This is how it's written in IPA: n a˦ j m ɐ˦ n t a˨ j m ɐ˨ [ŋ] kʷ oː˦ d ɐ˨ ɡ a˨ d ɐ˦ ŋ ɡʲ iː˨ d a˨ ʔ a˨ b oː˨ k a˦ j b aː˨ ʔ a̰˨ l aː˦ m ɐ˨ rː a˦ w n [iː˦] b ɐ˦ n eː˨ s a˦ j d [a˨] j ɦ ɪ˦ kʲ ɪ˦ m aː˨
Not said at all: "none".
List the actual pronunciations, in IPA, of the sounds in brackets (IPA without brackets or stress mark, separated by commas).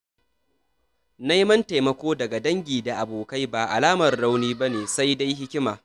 none, iː˦, a˦